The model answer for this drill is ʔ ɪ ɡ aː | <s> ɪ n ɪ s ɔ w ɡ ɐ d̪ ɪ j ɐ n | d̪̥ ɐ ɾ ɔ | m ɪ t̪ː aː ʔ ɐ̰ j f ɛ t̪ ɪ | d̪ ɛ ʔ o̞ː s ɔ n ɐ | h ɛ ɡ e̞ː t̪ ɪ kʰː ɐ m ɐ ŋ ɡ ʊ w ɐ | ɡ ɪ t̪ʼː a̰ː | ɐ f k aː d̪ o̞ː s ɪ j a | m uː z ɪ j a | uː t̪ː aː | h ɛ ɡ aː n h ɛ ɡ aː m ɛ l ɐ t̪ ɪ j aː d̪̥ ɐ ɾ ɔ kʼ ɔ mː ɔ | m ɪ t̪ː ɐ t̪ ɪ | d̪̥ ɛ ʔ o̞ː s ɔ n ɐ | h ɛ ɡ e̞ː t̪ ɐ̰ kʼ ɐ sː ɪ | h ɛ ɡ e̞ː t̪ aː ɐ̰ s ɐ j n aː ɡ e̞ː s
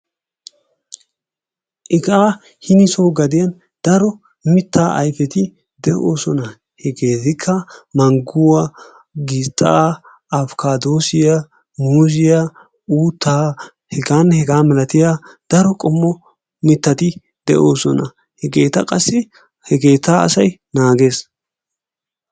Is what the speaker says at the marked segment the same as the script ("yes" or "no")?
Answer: no